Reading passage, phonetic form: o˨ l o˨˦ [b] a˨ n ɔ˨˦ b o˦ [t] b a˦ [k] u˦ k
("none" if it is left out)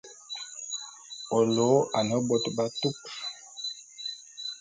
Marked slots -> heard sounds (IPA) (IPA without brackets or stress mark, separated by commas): none, t, t